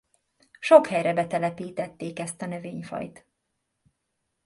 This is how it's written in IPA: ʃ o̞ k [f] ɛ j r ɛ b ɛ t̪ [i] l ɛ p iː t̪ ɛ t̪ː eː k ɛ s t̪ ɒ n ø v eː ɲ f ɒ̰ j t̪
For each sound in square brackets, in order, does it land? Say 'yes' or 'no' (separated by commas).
no, no